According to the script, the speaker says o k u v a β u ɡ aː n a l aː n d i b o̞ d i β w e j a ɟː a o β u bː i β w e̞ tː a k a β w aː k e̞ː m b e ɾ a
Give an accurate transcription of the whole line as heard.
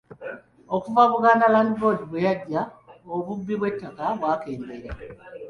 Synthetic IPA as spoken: o k u v a β u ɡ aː n a l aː n d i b o̞ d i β w e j a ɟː a o β u bː i β w e̞ tː a k a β w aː k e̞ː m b e ɾ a